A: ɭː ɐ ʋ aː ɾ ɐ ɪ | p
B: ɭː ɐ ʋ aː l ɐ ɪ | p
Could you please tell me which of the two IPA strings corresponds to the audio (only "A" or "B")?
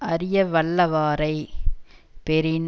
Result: A